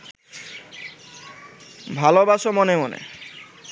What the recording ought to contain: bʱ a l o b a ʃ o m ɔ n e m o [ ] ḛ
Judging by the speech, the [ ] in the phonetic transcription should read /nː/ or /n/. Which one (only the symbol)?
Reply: n